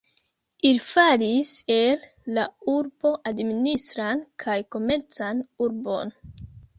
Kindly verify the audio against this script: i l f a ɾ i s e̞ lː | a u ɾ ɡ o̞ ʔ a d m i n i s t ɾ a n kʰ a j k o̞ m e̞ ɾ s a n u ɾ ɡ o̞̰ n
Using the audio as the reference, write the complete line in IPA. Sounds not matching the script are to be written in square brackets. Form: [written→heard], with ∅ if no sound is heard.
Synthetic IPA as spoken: i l f a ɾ i s e̞ lː | a u ɾ [ɡ→b] o̞ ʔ a d m i n i s t ɾ a n kʰ a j k o̞ m e̞ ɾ [s→t͡s] a n u ɾ [ɡ→b] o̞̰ n